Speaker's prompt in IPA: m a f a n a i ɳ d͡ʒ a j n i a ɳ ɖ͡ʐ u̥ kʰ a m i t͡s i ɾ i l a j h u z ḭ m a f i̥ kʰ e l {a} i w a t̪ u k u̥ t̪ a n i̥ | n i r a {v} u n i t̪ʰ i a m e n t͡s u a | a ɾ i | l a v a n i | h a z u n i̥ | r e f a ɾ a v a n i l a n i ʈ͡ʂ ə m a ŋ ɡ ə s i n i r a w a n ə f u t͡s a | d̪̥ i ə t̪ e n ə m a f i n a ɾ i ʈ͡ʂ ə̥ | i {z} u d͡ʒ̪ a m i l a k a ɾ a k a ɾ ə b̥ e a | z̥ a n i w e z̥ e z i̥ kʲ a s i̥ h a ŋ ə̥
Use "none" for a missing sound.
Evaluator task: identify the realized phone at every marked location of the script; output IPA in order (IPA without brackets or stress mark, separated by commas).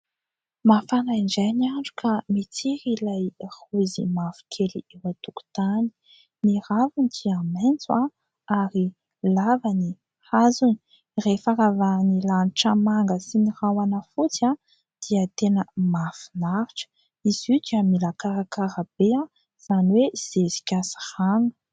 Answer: i, v, z